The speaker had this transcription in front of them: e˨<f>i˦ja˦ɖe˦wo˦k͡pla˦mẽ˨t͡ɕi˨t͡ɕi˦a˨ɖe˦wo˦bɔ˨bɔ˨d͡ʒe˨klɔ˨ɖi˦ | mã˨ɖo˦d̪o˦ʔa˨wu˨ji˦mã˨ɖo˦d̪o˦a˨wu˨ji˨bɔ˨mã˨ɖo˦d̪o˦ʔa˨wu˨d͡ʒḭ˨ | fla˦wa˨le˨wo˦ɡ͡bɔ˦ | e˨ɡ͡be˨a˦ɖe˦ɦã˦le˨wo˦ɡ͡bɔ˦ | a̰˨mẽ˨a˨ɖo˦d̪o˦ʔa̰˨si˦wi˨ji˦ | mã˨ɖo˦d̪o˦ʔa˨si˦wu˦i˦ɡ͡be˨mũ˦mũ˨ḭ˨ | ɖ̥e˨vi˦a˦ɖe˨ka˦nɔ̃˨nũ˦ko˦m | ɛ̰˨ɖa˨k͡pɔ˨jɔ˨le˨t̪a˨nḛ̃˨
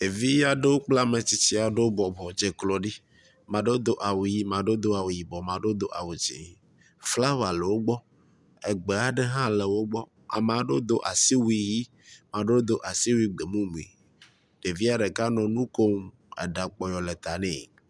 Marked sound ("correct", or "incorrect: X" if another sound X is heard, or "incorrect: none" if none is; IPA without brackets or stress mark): incorrect: v